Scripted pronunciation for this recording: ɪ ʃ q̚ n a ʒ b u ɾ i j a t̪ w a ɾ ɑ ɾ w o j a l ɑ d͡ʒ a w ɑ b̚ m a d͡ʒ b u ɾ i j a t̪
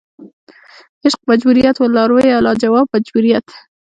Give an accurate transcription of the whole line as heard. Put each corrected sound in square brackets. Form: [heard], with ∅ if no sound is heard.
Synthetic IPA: ɪ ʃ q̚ [m] a [d͡ʒ] b u ɾ i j a t̪ w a [l] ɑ ɾ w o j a l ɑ d͡ʒ a w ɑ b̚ m a d͡ʒ b u ɾ i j a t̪

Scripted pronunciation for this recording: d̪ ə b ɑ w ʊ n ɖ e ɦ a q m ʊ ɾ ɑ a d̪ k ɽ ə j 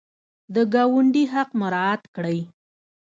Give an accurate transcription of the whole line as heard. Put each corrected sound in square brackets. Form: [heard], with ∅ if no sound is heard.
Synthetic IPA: d̪ ə [ɡ] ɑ w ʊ [ɳ] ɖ [i] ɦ a q m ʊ ɾ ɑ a [t̪] k ɽ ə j

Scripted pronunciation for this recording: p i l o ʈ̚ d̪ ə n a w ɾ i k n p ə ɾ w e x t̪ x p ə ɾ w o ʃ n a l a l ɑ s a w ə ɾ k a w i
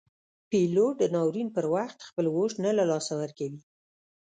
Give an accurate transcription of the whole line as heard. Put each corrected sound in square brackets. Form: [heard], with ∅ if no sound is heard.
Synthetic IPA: p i l o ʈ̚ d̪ ə n [ɑ] w ɾ i [∅] n p ə ɾ w [a] x t̪ x p ə [l] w o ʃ n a l a l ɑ s a w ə ɾ k a w i

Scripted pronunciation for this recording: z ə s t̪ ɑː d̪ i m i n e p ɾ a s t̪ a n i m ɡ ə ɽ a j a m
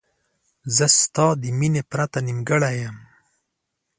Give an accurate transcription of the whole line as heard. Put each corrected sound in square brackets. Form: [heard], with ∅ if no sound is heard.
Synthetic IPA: z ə s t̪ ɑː d̪ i m i n e p ɾ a [∅] t̪ a n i m ɡ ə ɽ a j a m

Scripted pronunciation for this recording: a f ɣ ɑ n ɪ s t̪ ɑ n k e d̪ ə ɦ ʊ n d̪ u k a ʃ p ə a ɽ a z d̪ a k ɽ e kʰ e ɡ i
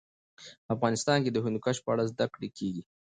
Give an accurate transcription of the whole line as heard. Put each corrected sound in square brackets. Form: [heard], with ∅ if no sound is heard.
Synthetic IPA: a f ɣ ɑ n ɪ s t̪ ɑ n k e d̪ ə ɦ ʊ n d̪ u k a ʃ p ə a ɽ a z d̪ a k ɽ e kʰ e ɡ i

